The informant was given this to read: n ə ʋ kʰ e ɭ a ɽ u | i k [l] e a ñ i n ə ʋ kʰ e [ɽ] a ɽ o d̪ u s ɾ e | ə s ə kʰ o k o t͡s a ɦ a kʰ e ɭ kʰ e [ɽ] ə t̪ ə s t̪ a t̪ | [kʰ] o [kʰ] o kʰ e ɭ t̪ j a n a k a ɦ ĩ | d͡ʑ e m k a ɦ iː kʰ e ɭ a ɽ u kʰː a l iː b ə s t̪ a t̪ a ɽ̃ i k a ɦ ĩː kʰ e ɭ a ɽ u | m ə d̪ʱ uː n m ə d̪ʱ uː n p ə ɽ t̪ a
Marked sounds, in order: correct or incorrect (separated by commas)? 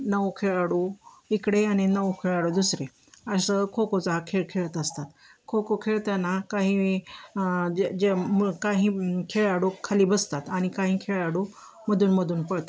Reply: incorrect, incorrect, incorrect, correct, incorrect